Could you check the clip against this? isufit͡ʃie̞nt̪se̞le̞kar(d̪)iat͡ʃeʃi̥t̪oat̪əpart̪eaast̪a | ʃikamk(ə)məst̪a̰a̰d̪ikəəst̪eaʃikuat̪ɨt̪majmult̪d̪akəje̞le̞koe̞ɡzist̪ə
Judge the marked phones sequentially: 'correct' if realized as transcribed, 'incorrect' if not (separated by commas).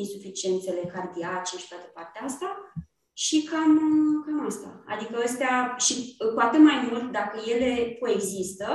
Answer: correct, incorrect